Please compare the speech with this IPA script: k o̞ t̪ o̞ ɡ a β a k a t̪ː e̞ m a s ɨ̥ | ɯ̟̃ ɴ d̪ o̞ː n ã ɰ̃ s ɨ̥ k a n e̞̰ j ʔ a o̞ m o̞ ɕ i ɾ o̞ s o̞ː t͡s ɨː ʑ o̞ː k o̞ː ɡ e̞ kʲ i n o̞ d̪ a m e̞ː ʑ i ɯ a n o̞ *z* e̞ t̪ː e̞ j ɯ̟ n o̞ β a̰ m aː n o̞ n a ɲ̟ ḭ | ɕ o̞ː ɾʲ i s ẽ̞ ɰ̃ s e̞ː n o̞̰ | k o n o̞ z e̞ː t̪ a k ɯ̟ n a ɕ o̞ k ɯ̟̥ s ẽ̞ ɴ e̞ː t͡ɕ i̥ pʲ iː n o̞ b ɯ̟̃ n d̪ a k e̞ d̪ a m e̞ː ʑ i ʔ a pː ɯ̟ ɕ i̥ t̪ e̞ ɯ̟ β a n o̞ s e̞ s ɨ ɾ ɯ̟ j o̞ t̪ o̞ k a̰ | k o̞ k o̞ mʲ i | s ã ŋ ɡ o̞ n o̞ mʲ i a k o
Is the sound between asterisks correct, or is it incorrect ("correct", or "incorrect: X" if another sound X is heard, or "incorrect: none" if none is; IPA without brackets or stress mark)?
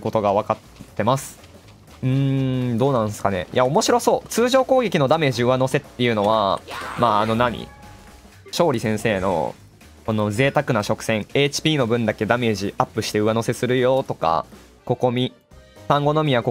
incorrect: s